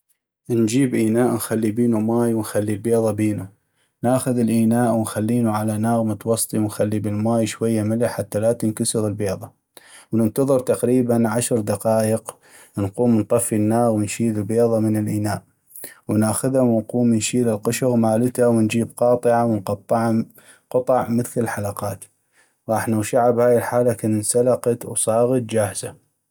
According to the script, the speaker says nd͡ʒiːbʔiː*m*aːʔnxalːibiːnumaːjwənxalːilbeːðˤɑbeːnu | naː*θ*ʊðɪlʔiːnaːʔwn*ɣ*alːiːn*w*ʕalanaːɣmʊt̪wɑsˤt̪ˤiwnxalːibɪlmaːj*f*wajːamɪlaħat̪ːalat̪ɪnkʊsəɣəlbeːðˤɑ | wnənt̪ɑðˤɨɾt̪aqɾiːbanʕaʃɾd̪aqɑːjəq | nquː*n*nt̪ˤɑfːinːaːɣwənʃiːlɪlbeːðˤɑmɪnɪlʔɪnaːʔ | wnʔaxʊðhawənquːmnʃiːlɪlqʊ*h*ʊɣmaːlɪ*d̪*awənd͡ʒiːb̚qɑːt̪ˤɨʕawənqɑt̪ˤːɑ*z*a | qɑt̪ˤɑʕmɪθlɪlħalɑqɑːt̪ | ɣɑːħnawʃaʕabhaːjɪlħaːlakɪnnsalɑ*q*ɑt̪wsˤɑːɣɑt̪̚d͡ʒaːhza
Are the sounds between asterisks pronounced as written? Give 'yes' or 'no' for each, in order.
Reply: no, no, no, no, no, no, no, no, no, yes

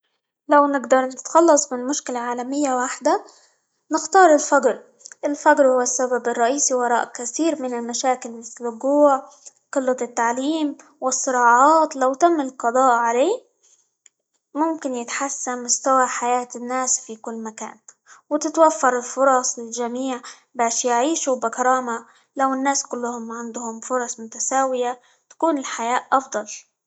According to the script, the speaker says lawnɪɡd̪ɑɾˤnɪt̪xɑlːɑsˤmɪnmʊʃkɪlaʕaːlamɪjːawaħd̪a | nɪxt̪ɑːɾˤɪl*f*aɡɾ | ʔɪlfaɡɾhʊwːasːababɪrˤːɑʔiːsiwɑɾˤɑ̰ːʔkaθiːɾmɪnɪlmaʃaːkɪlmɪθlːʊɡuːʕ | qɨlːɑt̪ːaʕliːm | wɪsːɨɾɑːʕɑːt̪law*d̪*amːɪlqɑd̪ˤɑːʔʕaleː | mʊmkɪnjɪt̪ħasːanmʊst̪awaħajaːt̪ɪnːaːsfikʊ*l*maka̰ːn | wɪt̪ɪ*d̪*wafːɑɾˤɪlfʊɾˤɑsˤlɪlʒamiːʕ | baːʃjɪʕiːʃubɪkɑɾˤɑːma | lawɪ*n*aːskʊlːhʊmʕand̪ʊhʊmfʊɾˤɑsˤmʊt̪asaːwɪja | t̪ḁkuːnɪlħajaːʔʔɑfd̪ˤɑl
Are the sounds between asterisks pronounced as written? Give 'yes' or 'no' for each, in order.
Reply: yes, no, no, no, no

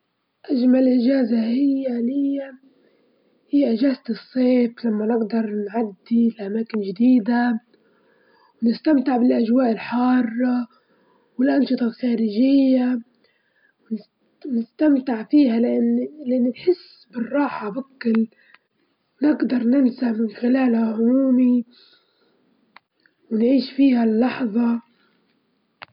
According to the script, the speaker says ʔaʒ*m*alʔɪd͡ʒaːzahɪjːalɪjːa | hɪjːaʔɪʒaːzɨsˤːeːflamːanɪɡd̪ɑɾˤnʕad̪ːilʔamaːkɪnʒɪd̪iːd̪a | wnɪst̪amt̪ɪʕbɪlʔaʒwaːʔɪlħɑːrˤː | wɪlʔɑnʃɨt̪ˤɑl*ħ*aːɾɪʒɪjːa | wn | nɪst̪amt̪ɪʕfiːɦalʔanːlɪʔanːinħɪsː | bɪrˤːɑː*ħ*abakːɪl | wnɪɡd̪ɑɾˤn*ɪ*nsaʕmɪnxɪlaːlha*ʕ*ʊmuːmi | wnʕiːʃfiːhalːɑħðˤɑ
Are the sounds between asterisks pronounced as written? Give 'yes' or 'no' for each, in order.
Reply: yes, no, yes, yes, yes

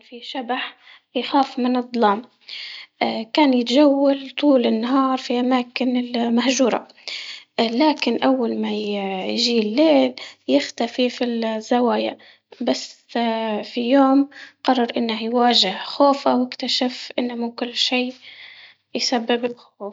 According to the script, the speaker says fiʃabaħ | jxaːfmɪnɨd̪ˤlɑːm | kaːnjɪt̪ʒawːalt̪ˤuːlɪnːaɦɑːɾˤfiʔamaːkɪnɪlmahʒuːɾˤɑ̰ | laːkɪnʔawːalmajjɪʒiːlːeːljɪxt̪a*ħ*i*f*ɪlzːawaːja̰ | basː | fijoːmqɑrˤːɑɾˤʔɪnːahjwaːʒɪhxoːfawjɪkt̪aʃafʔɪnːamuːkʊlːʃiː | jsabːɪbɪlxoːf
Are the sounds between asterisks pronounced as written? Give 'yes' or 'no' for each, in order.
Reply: no, yes

